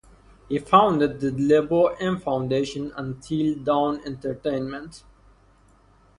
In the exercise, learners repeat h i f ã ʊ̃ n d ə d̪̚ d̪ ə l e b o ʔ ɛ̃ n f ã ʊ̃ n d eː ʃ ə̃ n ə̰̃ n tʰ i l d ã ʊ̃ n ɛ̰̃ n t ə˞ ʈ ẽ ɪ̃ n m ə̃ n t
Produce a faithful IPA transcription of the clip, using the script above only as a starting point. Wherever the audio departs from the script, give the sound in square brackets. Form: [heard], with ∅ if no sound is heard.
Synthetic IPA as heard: h i f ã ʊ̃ n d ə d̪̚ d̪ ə l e b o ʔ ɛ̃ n f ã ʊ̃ n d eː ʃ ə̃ n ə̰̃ n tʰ i l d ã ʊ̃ n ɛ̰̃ n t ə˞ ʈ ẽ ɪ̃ n m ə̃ n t